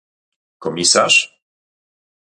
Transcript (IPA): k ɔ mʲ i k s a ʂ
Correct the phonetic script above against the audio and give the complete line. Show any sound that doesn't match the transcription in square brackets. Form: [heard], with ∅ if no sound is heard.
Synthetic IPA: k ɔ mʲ i [∅] s a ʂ